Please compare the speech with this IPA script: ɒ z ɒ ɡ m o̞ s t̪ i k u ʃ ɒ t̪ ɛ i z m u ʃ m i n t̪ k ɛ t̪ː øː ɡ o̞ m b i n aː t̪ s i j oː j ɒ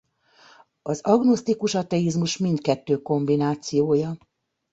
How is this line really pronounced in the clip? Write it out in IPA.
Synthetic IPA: ɒ z ɒ ɡ n o̞ s t̪ i k u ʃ ɒ t̪ ɛ i z m u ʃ m i n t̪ k ɛ t̪ː øː k o̞ m b i n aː t̪ s i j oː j ɒ